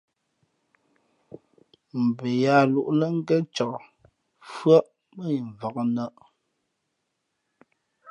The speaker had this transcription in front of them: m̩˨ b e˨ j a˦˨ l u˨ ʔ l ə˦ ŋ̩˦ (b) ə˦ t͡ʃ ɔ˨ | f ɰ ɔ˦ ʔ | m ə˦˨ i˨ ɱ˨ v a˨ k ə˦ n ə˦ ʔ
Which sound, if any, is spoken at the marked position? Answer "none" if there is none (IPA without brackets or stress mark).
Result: ɡ